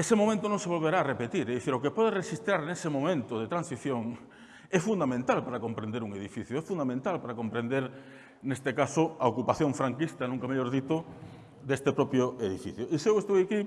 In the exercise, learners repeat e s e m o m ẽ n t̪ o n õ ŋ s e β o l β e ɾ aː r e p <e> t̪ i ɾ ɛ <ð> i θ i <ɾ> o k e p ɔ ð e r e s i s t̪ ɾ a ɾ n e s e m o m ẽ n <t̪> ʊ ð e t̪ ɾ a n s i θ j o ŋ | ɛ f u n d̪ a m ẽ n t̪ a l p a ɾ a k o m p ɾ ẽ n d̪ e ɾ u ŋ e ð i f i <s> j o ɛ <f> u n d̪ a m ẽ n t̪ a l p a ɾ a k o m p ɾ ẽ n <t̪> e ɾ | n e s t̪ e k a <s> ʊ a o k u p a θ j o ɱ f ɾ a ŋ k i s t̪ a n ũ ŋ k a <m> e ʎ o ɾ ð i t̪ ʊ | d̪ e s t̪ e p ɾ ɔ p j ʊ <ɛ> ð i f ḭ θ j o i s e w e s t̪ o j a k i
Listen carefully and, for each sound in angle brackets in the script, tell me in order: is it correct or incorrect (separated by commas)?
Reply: correct, correct, correct, correct, incorrect, correct, incorrect, correct, correct, incorrect